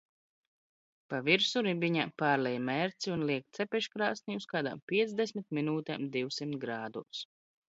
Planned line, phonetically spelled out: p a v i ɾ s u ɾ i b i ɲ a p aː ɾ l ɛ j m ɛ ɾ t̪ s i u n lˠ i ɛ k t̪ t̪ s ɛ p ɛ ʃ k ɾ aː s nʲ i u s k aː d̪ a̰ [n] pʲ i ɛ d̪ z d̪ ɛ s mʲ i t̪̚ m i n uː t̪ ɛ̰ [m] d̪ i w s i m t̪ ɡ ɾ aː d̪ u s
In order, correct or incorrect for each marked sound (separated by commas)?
incorrect, correct